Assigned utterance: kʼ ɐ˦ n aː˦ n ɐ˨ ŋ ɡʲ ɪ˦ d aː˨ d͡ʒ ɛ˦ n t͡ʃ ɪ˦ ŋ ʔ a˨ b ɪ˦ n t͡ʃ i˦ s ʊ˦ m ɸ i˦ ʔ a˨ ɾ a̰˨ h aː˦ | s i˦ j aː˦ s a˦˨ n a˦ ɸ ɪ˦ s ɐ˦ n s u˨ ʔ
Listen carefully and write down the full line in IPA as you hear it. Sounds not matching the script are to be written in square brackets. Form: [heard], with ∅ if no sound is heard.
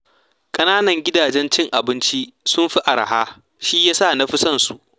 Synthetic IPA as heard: kʼ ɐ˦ n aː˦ n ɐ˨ ŋ ɡʲ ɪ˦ d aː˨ d͡ʒ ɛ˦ n t͡ʃ ɪ˦ ŋ ʔ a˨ b ɪ˦ n t͡ʃ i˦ s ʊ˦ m ɸ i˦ ʔ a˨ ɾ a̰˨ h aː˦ | [ʃ] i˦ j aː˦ s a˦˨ n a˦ ɸ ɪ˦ s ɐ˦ n s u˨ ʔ